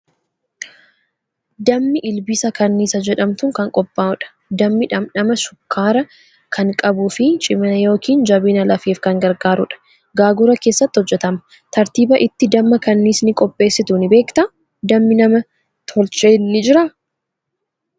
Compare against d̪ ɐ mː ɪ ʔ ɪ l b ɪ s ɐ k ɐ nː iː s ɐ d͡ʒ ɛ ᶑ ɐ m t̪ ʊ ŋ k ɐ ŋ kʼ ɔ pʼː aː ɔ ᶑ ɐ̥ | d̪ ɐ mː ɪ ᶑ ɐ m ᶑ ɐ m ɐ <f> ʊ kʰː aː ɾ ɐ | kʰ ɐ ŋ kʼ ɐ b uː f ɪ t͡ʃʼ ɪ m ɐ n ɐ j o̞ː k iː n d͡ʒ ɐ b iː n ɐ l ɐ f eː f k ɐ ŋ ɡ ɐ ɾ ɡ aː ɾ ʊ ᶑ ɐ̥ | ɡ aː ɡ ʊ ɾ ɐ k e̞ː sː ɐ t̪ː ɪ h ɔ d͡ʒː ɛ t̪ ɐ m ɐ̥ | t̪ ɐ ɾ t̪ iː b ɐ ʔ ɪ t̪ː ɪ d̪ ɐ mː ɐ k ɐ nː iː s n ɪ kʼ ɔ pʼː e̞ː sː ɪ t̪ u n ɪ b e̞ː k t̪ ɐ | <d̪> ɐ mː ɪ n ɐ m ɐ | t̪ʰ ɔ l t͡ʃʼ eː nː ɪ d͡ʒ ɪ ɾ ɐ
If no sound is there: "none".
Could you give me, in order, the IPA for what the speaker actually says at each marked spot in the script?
ʃ, d̪

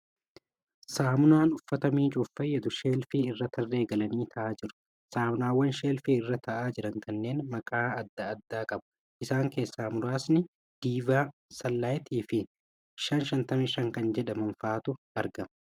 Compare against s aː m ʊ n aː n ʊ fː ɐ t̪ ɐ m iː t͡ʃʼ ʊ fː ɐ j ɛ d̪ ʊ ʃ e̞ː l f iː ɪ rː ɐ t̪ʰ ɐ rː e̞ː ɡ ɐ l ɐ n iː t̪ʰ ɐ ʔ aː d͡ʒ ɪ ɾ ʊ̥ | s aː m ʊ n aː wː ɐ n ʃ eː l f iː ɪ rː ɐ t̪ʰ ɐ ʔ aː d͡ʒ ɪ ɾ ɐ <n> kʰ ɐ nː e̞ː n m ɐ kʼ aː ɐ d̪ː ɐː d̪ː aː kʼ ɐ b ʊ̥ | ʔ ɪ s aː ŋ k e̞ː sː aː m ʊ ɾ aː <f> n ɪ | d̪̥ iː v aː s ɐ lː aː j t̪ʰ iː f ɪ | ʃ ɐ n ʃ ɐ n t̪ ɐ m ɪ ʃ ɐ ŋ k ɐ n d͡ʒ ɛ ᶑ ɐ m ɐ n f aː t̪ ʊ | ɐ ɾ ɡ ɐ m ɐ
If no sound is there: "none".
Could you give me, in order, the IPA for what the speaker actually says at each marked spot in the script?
ŋ, s

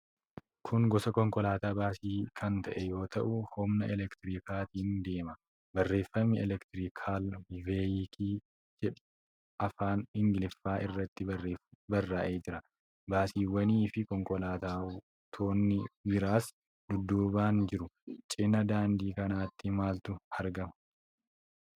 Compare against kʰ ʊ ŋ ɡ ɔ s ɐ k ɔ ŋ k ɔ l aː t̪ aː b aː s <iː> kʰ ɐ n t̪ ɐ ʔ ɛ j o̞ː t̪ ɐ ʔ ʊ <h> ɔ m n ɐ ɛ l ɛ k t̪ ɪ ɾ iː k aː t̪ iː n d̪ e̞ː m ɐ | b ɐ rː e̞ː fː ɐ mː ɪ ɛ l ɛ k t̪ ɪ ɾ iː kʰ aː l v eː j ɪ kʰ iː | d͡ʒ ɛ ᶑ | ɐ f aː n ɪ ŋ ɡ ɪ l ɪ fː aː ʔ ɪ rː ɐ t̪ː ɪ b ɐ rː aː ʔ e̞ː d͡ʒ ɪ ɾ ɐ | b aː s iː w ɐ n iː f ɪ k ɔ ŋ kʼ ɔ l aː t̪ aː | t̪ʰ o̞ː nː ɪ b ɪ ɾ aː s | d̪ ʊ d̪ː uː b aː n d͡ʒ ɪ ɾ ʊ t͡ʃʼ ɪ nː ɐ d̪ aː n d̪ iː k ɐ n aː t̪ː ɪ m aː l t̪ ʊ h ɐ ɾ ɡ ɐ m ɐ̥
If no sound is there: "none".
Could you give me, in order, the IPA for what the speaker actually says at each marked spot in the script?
iː, h

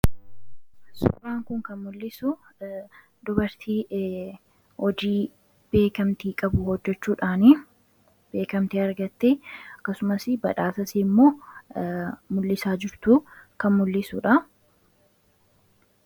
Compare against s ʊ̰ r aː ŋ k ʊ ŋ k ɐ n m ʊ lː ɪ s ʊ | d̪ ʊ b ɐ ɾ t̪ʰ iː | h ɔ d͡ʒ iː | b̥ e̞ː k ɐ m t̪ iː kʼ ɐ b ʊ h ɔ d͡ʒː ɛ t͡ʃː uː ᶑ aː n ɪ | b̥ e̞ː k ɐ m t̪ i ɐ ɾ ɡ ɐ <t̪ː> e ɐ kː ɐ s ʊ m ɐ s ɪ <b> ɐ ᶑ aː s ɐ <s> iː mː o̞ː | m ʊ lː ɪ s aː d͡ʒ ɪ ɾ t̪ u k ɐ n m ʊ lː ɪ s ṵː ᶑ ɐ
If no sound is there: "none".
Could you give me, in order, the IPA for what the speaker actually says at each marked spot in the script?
t̪ː, b, s

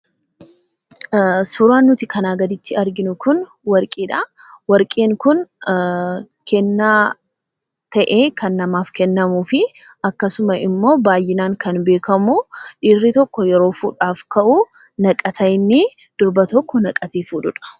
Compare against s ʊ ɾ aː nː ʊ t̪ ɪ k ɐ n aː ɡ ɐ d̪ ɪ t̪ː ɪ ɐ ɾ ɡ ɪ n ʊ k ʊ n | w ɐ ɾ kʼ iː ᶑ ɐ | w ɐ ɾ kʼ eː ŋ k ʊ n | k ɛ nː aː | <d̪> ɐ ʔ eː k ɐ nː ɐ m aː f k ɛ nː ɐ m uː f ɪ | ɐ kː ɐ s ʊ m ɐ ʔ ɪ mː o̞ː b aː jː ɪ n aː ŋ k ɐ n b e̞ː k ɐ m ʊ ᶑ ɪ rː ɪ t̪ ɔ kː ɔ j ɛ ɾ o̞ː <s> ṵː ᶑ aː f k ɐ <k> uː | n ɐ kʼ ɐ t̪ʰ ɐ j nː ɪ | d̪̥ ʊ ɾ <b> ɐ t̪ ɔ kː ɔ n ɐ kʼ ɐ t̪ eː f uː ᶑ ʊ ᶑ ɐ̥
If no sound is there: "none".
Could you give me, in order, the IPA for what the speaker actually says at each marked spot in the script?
t̪, f, ʔ, b

